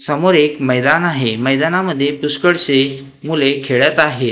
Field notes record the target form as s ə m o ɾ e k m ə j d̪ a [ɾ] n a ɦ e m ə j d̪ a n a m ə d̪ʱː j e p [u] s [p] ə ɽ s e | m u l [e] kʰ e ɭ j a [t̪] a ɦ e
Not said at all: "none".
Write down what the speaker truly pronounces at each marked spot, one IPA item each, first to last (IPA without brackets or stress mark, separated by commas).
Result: none, u, k, e, t̪